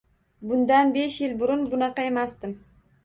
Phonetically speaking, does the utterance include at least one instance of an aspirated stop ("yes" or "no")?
no